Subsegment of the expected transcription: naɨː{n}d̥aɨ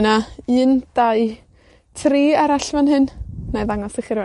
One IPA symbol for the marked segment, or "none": n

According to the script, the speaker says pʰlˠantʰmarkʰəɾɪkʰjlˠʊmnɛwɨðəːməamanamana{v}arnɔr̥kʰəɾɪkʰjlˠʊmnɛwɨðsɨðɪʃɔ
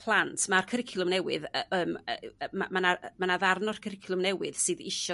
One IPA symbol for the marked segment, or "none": ð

